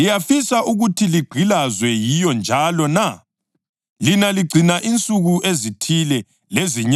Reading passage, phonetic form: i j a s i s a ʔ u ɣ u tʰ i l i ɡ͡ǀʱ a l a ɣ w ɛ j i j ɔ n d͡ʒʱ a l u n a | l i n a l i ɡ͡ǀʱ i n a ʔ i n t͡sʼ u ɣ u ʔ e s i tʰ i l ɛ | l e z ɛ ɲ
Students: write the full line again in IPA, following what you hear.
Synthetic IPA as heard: i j a f i s a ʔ u ɣ u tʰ i l i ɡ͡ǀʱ i l a z w ɛ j i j ɔ n d͡ʒʱ a l ɔ n a | l i n a l i ɡ͡ǀʱ i n a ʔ i n t͡sʼ u ɣ u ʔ e z i tʰ i l ɛ | l e z i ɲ